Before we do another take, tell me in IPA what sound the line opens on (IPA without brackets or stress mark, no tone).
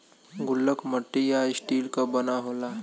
ɡ